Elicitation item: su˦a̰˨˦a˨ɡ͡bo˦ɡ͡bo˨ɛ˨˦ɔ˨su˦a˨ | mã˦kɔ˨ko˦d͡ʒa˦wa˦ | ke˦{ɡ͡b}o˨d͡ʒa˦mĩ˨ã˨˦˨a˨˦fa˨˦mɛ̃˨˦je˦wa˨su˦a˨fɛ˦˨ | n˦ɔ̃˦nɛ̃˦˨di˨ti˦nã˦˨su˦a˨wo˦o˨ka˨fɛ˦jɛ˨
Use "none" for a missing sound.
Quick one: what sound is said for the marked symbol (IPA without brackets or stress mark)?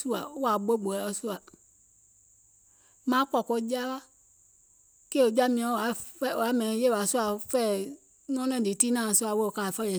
none